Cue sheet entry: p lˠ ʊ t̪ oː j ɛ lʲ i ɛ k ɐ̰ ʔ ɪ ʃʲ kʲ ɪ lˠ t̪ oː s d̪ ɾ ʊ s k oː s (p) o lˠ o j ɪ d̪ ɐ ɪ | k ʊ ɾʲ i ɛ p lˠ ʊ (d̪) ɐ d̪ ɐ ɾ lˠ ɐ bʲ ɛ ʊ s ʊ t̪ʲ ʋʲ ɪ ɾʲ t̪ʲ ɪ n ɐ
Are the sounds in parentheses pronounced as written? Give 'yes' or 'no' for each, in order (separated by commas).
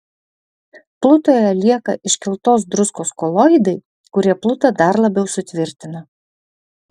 no, no